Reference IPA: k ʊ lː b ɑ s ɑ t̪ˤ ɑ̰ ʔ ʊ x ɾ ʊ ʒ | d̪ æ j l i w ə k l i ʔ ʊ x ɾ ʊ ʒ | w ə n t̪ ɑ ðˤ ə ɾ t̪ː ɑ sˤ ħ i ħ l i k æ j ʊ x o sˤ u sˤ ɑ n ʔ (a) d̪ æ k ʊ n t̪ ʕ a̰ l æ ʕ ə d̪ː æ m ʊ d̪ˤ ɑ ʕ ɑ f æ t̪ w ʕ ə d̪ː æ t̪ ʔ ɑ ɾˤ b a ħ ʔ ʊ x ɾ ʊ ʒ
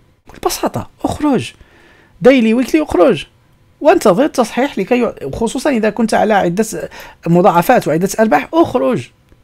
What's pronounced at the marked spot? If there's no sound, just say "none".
ə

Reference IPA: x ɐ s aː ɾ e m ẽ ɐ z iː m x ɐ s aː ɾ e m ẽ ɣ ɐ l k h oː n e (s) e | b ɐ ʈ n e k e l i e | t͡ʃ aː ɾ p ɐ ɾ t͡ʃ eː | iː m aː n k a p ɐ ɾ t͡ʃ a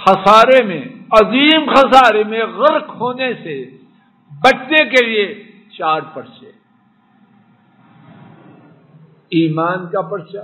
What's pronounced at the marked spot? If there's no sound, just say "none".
s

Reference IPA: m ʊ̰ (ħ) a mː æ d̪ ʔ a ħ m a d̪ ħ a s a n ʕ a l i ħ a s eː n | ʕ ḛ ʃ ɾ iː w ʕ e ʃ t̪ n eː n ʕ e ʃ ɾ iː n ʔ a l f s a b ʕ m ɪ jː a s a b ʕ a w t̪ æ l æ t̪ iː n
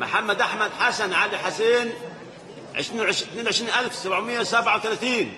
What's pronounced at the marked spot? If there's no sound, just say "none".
ħ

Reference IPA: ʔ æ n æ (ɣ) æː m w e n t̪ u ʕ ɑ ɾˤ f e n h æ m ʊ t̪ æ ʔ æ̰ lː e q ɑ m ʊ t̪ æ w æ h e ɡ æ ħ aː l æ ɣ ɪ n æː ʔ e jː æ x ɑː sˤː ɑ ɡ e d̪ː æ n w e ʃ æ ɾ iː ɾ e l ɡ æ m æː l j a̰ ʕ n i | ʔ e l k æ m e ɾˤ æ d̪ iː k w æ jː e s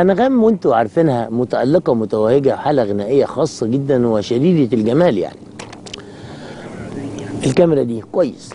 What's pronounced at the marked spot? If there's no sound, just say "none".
ɣ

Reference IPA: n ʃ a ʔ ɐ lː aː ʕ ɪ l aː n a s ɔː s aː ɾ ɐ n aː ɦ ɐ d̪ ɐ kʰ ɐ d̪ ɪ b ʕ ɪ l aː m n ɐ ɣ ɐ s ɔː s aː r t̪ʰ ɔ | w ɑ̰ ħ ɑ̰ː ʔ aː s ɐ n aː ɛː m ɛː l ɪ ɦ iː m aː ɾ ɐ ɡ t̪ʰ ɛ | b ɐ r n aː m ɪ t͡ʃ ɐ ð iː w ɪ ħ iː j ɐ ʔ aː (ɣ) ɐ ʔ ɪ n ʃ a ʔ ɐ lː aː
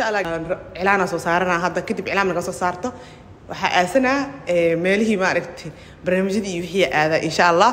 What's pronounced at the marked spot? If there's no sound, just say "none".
ð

